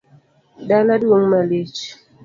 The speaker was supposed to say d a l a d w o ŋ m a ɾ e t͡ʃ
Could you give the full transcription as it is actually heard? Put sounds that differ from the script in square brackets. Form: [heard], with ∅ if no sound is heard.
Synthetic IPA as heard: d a l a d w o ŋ m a [l] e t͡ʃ